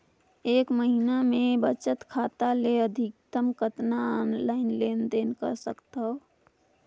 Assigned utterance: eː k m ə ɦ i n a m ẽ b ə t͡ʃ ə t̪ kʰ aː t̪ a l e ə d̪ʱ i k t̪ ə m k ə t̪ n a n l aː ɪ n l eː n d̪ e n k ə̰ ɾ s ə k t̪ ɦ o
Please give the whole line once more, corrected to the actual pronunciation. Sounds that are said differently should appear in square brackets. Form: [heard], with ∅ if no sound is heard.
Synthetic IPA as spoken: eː k m ə ɦ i n a m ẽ b ə t͡ʃ ə t̪ kʰ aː t̪ a l e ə d̪ʱ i k t̪ ə m k ə t̪ n a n l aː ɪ n l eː n d̪ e n k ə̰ ɾ s ə k t̪ ɦ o